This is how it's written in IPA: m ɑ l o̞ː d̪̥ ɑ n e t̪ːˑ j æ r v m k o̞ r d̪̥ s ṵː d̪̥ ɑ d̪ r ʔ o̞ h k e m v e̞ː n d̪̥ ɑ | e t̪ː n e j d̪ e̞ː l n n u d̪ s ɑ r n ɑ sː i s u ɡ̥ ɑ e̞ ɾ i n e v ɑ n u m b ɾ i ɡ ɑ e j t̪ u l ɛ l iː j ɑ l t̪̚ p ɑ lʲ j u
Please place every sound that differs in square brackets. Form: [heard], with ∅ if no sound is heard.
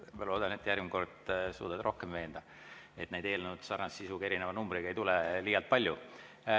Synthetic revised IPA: m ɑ l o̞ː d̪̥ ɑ n e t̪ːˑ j æ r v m k o̞ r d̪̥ s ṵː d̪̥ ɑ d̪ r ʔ o̞ h k e m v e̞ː n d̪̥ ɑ | e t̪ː n e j d̪ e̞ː l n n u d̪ s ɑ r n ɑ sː i s u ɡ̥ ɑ e̞ ɾ i n e v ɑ n u m b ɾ i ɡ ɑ e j t̪ u l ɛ l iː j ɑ l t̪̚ p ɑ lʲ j u

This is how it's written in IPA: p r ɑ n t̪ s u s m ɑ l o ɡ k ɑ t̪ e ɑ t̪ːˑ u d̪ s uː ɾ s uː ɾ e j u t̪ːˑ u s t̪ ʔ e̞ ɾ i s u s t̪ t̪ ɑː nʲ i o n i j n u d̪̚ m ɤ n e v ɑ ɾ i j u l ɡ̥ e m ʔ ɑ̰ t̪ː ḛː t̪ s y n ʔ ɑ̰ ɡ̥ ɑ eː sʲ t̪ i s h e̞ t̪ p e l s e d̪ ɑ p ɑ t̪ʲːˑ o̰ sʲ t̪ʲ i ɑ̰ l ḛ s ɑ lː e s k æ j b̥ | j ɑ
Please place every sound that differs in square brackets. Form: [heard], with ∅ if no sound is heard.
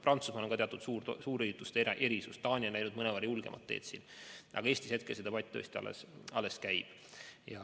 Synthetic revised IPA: p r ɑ n t̪ s u s m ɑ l o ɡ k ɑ t̪ e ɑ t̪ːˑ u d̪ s uː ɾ s uː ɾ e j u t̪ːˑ u s t̪ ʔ e̞ ɾ i s u s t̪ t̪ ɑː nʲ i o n [æ] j n u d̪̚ m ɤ n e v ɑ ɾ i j u l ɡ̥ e m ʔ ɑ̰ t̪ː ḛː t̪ s [i] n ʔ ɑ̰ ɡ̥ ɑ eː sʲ t̪ i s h e̞ t̪ [k] e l s e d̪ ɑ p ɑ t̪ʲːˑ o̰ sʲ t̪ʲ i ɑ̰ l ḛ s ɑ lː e s k æ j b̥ | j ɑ

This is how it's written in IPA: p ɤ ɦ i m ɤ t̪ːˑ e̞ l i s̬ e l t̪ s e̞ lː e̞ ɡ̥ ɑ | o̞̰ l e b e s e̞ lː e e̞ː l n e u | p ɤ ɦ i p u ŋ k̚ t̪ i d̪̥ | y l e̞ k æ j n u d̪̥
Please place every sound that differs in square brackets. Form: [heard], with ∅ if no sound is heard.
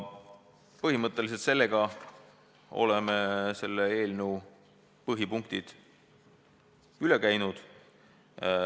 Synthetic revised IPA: p ɤ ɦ i m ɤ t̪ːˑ e̞ l i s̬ e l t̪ s e̞ lː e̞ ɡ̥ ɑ | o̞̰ l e [m] e s e̞ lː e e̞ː l n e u | p ɤ ɦ i p u ŋ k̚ t̪ i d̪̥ | y l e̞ k æ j n u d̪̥

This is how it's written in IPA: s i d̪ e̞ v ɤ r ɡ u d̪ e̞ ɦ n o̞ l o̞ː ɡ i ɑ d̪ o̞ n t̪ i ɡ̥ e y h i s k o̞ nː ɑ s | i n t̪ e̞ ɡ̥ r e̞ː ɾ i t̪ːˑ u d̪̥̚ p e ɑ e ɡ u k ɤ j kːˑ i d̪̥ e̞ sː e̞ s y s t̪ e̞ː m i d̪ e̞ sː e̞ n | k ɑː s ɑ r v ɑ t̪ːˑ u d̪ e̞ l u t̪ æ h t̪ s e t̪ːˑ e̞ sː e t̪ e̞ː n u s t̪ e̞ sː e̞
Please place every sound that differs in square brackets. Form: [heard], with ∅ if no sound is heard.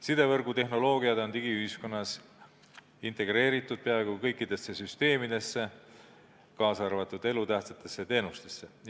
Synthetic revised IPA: s i d̪ e̞ v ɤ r ɡ u [t̪] e̞ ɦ n o̞ l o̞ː ɡ i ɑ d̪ o̞ n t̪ i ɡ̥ [i] y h i s k o̞ nː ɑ s | i n t̪ e̞ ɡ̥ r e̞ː ɾ i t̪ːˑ u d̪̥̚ p e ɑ e ɡ u k ɤ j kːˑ i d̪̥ e̞ sː e̞ s y s t̪ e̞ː m i d̪ e̞ sː e̞ [∅] | k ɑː s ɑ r v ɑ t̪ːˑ u d̪ e̞ l u t̪ æ h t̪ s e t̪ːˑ e̞ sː e t̪ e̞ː n u s t̪ e̞ sː e̞

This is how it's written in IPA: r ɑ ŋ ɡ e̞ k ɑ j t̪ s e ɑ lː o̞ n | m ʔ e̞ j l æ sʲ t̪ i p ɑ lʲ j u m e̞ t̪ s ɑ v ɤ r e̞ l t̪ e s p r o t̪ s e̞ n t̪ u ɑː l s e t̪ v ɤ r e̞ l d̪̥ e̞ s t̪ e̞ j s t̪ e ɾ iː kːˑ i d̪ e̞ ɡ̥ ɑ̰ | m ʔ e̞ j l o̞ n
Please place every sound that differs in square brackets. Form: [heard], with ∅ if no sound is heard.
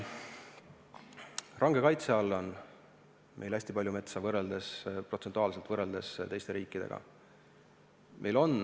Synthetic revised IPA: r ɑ ŋ ɡ e̞ k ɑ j t̪ s e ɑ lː o̞ n | m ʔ e̞ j l æ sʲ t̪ i p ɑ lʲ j u m e̞ t̪ s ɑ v ɤ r e̞ l [d̪] e s p r o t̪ s e̞ n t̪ u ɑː l s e t̪ v ɤ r e̞ l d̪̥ e̞ s t̪ e̞ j s t̪ e ɾ iː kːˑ i d̪ e̞ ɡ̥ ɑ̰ | m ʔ e̞ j l o̞ n

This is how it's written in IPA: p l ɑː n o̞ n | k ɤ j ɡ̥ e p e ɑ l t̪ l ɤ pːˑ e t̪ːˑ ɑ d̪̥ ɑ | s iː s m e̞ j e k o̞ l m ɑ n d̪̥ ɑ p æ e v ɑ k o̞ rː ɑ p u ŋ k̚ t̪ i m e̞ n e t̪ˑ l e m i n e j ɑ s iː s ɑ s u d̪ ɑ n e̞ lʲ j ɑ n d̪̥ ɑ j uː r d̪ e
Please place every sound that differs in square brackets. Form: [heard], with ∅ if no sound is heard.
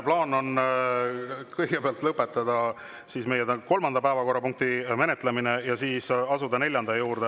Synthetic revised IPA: p l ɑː n o̞ n | k ɤ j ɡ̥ e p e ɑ l t̪ l ɤ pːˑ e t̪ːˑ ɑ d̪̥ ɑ | s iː s m e̞ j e k o̞ l m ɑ n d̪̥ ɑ p æ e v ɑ k o̞ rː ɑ p u ŋ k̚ t̪ i m e̞ n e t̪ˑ l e m i n e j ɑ s iː s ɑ s u d̪ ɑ n e̞ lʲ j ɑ n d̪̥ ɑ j uː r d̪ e

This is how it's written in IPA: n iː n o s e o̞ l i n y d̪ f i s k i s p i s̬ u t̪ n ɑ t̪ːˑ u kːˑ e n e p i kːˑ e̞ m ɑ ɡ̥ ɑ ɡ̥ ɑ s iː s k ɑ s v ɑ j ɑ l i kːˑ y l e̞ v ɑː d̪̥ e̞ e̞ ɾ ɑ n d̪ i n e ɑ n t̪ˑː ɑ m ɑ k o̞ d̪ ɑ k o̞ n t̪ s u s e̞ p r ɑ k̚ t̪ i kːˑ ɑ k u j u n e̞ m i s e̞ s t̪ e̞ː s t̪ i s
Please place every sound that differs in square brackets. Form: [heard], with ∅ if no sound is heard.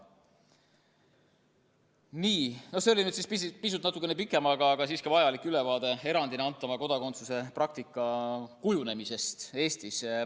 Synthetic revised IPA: n iː n o s e o̞ l i n y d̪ [s] i s [p] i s p i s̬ u t̪ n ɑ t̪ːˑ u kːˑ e n e p i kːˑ e̞ m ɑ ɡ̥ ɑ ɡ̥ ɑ s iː s k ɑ [∅] v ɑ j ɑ l i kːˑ y l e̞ v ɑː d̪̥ e̞ e̞ ɾ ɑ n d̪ i n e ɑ n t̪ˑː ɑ m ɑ k o̞ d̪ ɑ k o̞ n t̪ s u s e̞ p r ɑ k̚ t̪ i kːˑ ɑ k u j u n e̞ m i s e̞ s t̪ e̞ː s t̪ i s

